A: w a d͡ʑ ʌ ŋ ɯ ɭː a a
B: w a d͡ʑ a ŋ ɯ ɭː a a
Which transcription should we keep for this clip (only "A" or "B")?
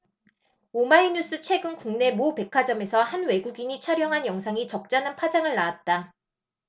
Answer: B